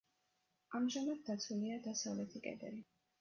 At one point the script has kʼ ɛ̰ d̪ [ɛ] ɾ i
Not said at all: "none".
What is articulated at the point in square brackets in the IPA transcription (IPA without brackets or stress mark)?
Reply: ɛ